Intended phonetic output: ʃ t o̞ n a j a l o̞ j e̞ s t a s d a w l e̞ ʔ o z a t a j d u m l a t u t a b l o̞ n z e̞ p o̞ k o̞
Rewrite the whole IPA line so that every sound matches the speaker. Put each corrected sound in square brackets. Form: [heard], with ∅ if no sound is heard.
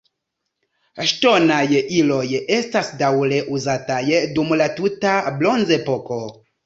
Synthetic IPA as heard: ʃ t o̞ n a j [i] l o̞ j e̞ s t a s d a w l e̞ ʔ [u] z a t a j d u m l a t u t a b l o̞ n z e̞ p o̞ k o̞